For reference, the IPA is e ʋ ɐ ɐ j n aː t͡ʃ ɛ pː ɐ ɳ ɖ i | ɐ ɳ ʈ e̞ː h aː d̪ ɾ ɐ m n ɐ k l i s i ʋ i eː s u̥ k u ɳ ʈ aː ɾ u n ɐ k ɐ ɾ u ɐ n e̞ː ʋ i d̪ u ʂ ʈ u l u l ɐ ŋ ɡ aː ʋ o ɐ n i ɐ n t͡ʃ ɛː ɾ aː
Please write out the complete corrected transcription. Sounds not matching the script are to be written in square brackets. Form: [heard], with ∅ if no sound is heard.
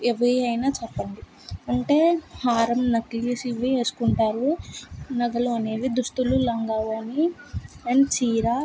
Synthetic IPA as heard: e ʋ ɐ ɐ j n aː t͡ʃ ɛ pː ɐ ɳ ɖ i | ɐ ɳ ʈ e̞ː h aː [∅] ɾ ɐ m n ɐ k l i s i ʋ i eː s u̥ k u ɳ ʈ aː ɾ u n ɐ [ɡ] ɐ [l] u ɐ n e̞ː ʋ i d̪ u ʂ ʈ u l u l ɐ ŋ ɡ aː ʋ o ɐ n i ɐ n t͡ʃ [iː] ɾ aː